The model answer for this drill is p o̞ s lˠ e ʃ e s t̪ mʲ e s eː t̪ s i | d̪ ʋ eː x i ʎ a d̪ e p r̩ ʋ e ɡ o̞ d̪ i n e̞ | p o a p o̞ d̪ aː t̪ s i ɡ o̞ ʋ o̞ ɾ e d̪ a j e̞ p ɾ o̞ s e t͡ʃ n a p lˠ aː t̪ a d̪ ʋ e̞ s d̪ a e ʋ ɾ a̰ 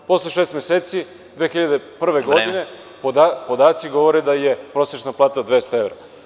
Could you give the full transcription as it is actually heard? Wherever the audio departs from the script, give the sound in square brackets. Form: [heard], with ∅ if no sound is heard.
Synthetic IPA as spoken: p o̞ s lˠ e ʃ e s t̪ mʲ e s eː t̪ s i | d̪ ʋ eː x i ʎ a d̪ e p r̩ ʋ e ɡ o̞ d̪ i n e̞ | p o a p o̞ d̪ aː t̪ s i ɡ o̞ ʋ o̞ ɾ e d̪ a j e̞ p ɾ o̞ s e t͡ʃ n a p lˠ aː t̪ a d̪ ʋ e̞ s [t̪] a e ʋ ɾ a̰

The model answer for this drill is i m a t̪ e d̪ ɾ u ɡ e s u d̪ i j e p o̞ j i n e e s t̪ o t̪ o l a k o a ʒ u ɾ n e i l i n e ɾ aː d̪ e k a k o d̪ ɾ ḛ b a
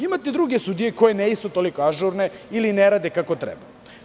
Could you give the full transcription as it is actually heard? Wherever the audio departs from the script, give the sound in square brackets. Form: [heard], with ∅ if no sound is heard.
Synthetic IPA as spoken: i m a t̪ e d̪ ɾ u ɡ e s u d̪ i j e [k] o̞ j [e] n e [i] s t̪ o t̪ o l [i] k o a ʒ u ɾ n e i l i n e ɾ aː d̪ e k a k o [t̪] ɾ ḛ b a

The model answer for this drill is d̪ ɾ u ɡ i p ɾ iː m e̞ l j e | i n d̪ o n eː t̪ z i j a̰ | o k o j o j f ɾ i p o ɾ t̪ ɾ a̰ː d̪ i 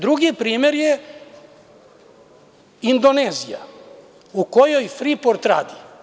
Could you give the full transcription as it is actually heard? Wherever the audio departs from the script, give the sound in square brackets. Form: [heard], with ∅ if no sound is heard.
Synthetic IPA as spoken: d̪ ɾ u ɡ i p ɾ iː m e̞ [ɾ] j e | i n d̪ o n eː [∅] z i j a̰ | [u] k o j o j f ɾ i p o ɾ t̪ ɾ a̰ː d̪ i

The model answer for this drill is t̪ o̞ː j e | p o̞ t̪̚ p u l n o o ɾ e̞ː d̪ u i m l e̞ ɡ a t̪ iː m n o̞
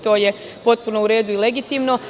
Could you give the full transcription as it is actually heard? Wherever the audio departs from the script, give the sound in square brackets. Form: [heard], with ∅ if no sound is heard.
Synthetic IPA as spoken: t̪ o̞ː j e | p o̞ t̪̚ p u [∅] n o [u] ɾ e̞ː d̪ u i [∅] l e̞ ɡ [i] t̪ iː m n o̞

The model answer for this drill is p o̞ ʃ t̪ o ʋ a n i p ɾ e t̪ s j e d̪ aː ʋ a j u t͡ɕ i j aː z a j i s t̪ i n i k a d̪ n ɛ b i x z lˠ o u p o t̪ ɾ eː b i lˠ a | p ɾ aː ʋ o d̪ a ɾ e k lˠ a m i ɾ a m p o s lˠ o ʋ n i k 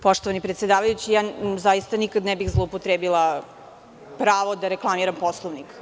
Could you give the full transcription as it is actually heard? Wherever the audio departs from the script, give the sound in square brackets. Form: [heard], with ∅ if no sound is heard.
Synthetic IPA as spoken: p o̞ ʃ t̪ o ʋ a n i p ɾ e t̪ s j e d̪ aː ʋ a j u t͡ɕ i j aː z a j i s t̪ [a] n i k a d̪ n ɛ b i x z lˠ o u p o t̪ ɾ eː b i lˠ a | p ɾ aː ʋ o d̪ a ɾ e k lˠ a m i ɾ a m p o s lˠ o ʋ n i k

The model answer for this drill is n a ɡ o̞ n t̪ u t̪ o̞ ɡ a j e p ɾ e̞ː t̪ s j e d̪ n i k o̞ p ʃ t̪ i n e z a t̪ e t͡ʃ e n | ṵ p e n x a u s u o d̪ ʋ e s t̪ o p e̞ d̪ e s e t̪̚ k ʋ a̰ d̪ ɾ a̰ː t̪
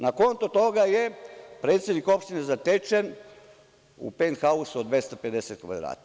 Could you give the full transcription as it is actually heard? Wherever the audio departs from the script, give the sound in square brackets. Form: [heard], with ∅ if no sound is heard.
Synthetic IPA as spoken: n a [k] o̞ n t̪ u t̪ o̞ ɡ a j e p ɾ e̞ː t̪ s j e d̪ n i k o̞ p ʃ t̪ i n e z a t̪ e t͡ʃ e n | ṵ p e n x a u s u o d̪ ʋ e s t̪ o p e̞ d̪ e s e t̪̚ k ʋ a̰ d̪ ɾ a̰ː t̪

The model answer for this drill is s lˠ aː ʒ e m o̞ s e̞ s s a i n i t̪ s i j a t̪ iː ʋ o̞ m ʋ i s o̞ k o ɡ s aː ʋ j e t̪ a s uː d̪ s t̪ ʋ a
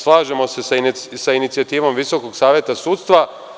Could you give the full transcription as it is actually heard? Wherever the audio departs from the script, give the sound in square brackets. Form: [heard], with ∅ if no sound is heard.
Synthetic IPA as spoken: s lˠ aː ʒ e m o̞ s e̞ s s a i n i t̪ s i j a t̪ iː ʋ o̞ m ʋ i s o̞ k o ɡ s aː ʋ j e t̪ a s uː [t̪] s t̪ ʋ a

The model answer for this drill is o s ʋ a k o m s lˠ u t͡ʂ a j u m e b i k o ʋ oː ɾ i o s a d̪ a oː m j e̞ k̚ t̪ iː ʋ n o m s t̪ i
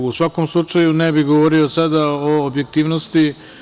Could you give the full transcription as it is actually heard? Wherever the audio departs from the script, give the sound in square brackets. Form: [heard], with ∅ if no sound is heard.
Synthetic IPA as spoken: [u] s ʋ a k o m s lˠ u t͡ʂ a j u [n] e b i [ɡ] o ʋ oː ɾ i o s a d̪ a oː [b] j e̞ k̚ t̪ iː ʋ n o [∅] s t̪ i

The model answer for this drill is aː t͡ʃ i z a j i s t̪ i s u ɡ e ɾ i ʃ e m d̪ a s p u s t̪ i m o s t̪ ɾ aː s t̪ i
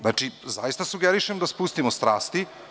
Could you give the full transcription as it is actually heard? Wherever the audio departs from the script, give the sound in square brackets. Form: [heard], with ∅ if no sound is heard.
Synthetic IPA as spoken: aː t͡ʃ i z a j i s t̪ [a] s u ɡ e ɾ i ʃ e m d̪ a s p u s t̪ i m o s t̪ ɾ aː s t̪ i

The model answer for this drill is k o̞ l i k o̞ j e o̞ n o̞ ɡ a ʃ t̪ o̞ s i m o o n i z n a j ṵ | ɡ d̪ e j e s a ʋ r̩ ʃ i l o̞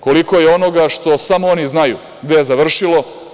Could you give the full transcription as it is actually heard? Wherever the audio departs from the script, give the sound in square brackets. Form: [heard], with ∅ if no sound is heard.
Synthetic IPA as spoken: k o̞ l i k o̞ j e o̞ n o̞ ɡ a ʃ t̪ o̞ s [a] m o o n i z n a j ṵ | ɡ d̪ e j e [z] a ʋ r̩ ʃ i l o̞

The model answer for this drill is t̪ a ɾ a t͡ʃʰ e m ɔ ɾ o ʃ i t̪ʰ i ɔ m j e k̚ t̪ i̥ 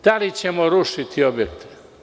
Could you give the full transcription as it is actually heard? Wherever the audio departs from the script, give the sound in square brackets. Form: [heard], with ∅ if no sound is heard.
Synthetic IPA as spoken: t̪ a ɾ [i] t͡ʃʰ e m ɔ ɾ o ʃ i t̪ʰ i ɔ [b] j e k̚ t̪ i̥

